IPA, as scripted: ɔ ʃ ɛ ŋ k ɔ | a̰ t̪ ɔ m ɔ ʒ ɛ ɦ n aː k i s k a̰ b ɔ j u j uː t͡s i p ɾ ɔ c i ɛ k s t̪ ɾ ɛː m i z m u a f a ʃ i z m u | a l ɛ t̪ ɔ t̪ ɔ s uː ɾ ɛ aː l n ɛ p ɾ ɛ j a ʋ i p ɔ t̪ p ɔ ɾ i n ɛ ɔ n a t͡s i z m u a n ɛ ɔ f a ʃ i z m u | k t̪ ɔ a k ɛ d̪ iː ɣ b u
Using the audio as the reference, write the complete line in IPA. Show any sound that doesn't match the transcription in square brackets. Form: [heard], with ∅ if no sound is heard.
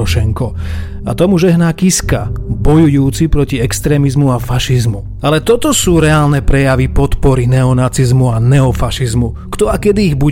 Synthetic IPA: ɔ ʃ ɛ ŋ k ɔ | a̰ t̪ ɔ m [u] ʒ ɛ ɦ n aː k i s k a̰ b ɔ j u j uː t͡s i p ɾ ɔ c i ɛ k s t̪ ɾ ɛː m i z m u a f a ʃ i z m u | a l ɛ t̪ ɔ t̪ ɔ s uː ɾ ɛ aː l n ɛ p ɾ ɛ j a ʋ i p ɔ t̪ p ɔ ɾ i n ɛ ɔ n a t͡s i z m u a n ɛ ɔ f a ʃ i z m u | k t̪ ɔ a k ɛ d̪ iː ɣ b u